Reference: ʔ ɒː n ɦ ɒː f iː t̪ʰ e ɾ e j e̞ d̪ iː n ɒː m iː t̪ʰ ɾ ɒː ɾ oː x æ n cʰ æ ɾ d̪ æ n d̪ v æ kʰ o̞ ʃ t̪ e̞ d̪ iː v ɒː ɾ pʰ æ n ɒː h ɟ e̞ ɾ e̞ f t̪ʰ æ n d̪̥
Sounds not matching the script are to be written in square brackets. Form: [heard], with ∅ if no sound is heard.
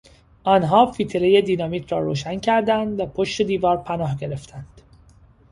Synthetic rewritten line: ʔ ɒː n ɦ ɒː f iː t̪ʰ e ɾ e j e̞ d̪ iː n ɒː m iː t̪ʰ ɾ ɒː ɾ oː [ʃ] æ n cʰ æ ɾ d̪ æ n d̪ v æ [pʰ] o̞ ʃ t̪ e̞ d̪ iː v ɒː ɾ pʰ æ n ɒː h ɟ e̞ ɾ e̞ f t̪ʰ æ n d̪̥